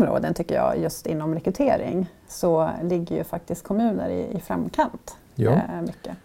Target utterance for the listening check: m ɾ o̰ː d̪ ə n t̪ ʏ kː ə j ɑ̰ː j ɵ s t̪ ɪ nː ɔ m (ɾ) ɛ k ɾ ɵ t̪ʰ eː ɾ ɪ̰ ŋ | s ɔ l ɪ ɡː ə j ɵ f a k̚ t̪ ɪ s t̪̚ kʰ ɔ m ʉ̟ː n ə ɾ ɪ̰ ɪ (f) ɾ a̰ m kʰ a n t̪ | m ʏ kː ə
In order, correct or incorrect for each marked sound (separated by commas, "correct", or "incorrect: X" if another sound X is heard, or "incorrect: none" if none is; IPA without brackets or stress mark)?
correct, correct